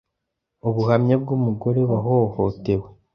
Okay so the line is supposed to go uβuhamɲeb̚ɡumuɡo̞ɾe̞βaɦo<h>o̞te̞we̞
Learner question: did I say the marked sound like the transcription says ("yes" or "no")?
yes